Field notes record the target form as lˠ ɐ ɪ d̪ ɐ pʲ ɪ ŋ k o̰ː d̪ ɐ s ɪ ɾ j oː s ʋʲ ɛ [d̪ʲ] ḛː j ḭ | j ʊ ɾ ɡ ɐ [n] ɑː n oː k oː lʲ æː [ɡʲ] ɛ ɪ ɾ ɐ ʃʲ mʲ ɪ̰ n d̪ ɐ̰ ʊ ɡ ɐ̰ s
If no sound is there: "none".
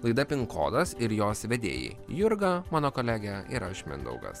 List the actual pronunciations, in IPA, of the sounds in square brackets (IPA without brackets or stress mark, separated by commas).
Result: d̪ʲ, m, ɡʲ